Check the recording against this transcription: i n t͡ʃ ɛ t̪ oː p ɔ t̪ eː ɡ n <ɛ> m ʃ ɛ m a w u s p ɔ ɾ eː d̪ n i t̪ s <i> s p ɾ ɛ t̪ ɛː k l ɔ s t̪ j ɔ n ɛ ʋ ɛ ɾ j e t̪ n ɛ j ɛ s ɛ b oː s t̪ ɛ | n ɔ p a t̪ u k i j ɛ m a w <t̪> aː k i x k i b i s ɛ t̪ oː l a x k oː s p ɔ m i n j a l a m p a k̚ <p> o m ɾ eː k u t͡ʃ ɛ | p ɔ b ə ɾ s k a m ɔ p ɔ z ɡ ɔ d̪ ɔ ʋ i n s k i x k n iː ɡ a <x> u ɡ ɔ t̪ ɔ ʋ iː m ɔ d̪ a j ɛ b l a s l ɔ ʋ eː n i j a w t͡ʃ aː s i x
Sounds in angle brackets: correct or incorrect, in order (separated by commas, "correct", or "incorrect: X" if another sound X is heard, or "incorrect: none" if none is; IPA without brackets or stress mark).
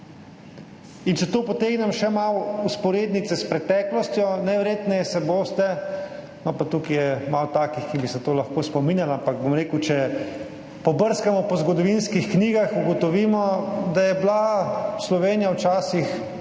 correct, incorrect: ɛ, correct, incorrect: b, correct